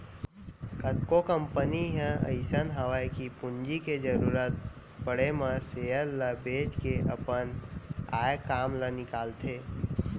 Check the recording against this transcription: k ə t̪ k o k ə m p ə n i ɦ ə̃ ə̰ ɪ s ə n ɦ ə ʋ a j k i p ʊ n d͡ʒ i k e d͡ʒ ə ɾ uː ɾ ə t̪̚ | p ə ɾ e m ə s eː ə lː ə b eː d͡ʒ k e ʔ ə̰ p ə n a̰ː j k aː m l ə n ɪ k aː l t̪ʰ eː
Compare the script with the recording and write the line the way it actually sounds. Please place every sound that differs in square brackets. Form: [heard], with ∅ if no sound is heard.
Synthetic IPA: k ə t̪ k o k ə m p ə n i ɦ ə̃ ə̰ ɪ s ə n ɦ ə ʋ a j k i p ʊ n d͡ʒ i k e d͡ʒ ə ɾ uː ɾ ə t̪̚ | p ə [ɽ] e m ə s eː ə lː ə b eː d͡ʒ k e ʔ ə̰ p ə n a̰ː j k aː m l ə n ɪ k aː l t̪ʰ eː